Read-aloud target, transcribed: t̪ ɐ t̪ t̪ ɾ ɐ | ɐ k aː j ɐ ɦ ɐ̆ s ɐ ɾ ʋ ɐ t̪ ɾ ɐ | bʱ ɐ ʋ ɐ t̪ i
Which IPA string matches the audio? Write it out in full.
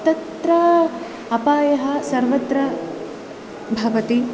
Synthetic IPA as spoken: t̪ ɐ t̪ t̪ ɾ ɐ | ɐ p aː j ɐ ɦ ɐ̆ s ɐ ɾ ʋ ɐ t̪ ɾ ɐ | bʱ ɐ ʋ ɐ t̪ i